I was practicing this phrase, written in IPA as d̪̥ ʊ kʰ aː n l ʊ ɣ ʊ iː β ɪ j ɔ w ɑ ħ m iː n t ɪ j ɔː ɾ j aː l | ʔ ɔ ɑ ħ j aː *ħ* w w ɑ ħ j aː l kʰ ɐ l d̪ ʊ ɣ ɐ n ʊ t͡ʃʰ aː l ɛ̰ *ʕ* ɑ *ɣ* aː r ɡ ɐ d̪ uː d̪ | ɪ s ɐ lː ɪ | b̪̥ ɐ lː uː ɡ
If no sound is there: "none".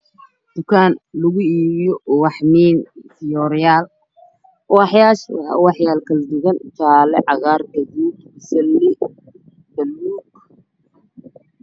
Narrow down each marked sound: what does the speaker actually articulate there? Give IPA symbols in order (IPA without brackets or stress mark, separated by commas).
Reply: ʃ, ʕ, ɣ